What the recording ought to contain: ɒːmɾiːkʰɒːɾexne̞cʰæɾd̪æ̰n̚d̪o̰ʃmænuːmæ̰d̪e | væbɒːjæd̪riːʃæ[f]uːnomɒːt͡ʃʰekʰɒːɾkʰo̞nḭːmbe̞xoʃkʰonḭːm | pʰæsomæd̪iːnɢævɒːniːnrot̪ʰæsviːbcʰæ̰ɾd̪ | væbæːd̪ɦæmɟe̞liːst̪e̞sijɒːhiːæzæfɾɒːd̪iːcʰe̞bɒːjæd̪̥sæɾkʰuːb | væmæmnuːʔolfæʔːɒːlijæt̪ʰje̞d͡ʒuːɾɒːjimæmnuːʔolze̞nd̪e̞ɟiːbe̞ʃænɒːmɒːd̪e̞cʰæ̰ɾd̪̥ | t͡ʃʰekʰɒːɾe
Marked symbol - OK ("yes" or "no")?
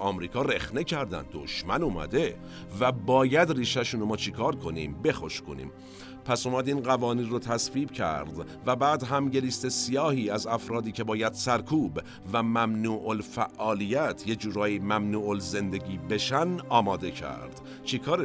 no